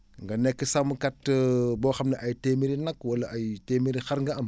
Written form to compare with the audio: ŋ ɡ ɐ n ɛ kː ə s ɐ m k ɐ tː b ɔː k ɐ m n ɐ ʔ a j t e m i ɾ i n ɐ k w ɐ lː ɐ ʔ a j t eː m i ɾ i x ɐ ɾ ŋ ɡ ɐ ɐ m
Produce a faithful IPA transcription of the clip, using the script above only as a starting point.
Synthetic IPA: ŋ ɡ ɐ n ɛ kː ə s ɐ m k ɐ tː b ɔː x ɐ m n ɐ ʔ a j t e m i ɾ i n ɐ k w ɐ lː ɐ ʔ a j t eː m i ɾ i x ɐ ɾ ŋ ɡ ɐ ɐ m

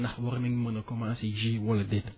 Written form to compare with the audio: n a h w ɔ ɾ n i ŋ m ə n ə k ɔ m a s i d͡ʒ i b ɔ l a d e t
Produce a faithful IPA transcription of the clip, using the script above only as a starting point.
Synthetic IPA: n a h w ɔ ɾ n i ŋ m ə n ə k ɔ m a s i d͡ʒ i w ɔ l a d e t

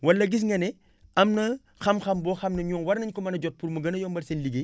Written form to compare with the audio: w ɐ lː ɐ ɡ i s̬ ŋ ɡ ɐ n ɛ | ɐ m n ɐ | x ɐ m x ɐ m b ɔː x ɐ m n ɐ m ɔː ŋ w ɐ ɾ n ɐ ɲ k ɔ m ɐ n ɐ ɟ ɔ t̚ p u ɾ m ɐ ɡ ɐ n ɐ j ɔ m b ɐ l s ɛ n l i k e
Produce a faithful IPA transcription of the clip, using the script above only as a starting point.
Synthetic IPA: w ɐ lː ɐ ɡ i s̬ ŋ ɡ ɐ n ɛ | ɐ m n ɐ | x ɐ m x ɐ m b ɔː x ɐ m n ɐ ɲ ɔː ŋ w ɐ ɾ n ɐ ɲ k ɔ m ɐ n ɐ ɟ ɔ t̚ p u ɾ m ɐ ɡ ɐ n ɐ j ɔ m b ɐ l s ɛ n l i ɡ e

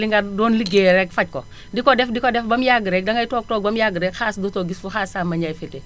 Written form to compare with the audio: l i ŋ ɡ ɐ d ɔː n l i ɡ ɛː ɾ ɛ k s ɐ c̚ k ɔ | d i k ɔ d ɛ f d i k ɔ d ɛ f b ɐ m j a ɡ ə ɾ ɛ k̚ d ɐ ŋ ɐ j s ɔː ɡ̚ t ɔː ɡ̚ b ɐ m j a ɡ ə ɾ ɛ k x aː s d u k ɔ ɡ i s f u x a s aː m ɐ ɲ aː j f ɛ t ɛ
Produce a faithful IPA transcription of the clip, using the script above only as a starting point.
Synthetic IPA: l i ŋ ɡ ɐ d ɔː n l i ɡ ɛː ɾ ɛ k f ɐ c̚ k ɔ | d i k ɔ d ɛ f d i k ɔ d ɛ f b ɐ m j a ɡ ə ɾ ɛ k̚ d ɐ ŋ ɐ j t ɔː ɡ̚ t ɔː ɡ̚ b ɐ m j a ɡ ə ɾ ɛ k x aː s d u t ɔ ɡ i s f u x a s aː m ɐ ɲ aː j f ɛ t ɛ

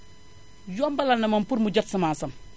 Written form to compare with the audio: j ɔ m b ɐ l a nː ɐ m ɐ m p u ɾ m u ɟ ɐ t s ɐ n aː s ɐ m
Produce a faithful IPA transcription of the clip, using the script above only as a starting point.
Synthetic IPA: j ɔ m b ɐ l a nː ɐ m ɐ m p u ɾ m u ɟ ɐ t s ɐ m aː s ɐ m

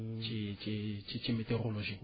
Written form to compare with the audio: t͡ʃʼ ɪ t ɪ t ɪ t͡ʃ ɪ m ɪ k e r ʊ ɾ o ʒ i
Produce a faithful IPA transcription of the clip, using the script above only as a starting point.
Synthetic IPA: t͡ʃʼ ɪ t͡ʃ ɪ t͡ʃ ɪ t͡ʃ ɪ m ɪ t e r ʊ l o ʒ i

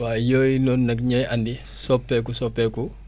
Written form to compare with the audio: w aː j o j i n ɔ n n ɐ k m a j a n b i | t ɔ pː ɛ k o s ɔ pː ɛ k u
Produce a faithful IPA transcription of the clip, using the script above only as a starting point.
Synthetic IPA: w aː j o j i n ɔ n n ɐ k ɲ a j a n d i | s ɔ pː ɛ k u s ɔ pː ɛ k u

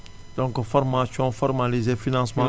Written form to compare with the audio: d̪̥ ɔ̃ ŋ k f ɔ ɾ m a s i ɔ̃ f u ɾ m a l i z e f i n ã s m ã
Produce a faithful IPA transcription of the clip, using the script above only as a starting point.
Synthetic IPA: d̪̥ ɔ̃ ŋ k f ɔ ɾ m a s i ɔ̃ f ɔ ɾ m a l i z e f i n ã s m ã

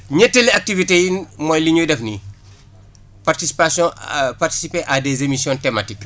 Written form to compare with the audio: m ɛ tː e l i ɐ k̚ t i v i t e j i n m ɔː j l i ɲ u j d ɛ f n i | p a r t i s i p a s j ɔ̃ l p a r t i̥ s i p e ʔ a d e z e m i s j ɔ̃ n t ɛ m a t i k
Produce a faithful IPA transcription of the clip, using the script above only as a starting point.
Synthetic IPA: ɲ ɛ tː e l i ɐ k̚ t i v i t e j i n m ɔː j l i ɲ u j d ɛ f n i | p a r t i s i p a s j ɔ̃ p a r t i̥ s i p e ʔ a d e z e m i s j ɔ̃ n t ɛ m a t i k

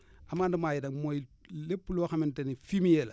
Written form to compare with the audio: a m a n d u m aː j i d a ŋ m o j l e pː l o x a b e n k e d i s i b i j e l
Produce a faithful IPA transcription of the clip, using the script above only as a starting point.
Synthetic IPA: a m a n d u m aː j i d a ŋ m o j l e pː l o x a m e n t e n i f i m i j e l

